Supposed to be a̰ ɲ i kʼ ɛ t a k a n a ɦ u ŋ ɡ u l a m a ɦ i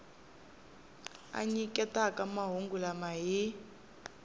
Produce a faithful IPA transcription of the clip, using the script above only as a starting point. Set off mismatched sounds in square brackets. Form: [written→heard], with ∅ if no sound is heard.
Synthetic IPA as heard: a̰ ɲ i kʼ ɛ t a k a [n→m] a ɦ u ŋ ɡ u l a m a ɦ i